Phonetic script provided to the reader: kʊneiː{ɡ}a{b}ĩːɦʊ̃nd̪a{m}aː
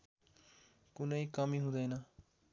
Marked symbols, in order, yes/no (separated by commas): no, no, no